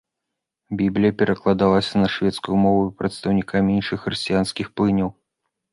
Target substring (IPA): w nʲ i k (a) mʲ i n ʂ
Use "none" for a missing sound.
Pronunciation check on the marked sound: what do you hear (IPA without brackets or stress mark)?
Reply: a